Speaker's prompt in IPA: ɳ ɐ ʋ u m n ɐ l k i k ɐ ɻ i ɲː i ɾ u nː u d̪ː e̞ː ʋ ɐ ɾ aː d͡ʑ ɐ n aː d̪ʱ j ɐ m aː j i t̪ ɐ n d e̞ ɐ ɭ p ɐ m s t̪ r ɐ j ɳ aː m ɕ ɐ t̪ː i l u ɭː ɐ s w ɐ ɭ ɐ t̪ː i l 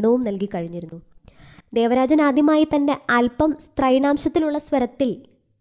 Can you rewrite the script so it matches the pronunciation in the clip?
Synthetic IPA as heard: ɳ ɐ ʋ u m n ɐ l k i k ɐ ɻ i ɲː i ɾ u nː u d̪ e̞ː ʋ ɐ ɾ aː d͡ʑ ɐ n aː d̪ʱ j ɐ m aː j i t̪ ɐ n d e̞ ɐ l p ɐ m s t̪ r ɐ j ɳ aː m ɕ ɐ t̪ː i l u ɭː ɐ s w ɐ ɾ ɐ t̪ː i l